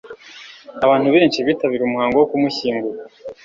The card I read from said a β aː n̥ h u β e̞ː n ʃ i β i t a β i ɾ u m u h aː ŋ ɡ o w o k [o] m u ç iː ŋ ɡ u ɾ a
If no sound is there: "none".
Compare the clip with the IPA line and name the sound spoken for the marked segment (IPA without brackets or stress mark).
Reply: u